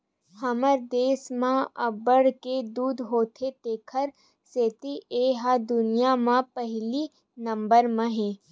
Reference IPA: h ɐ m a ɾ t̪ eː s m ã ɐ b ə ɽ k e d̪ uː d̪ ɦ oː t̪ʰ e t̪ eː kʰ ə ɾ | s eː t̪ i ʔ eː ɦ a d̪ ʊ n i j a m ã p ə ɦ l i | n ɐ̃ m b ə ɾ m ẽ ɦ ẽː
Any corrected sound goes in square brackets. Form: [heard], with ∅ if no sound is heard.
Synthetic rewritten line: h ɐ m [ə] ɾ [d̪] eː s m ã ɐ b ə ɽ k e d̪ uː d̪ ɦ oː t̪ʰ e t̪ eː kʰ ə ɾ | s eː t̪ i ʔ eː ɦ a d̪ ʊ n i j a m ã p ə ɦ l i | n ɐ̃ m b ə ɾ m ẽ ɦ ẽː

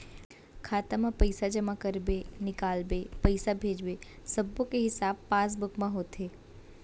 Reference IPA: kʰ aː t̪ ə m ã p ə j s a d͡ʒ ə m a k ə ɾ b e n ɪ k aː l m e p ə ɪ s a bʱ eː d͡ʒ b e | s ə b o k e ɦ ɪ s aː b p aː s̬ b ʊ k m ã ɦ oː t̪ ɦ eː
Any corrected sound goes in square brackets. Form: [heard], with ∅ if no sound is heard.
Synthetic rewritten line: kʰ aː t̪ [a] m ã p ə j s a d͡ʒ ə m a k ə ɾ b e n ɪ k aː l [b] e p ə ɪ s a bʱ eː d͡ʒ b e | s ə b o k e ɦ ɪ s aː b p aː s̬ b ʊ k m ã ɦ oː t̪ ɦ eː

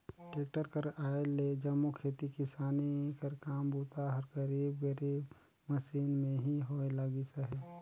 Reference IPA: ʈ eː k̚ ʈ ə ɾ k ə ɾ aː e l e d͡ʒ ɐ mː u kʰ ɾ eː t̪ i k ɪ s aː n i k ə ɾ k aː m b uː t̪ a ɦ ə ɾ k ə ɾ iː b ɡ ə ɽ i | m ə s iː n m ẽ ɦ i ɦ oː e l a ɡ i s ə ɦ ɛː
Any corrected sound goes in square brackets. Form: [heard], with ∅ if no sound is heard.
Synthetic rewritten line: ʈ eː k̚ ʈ ə ɾ k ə ɾ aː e l e d͡ʒ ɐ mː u kʰ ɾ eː t̪ i k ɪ s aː n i k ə ɾ k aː m b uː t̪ a ɦ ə ɾ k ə ɾ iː b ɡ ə [ɾ] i | m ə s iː n m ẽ ɦ i ɦ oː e l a ɡ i s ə ɦ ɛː

